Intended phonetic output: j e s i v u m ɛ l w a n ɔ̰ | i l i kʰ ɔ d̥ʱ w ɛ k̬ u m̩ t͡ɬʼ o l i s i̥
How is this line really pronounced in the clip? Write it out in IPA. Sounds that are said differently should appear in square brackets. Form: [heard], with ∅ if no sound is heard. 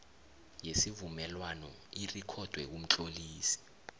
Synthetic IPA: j e s i v u m ɛ l w a n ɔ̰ | i [r] i kʰ ɔ d̥ʱ w ɛ k̬ u m̩ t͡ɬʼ o l [iː] s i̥